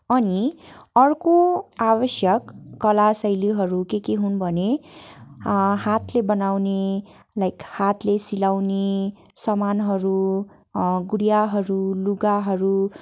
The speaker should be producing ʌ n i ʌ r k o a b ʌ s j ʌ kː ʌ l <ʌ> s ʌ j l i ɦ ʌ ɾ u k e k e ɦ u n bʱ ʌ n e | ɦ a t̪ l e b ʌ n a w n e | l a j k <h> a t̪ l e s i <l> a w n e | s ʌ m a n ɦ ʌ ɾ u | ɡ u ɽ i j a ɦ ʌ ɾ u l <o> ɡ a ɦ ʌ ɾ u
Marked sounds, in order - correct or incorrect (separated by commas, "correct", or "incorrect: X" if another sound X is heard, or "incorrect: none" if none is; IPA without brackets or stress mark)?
incorrect: a, correct, correct, incorrect: u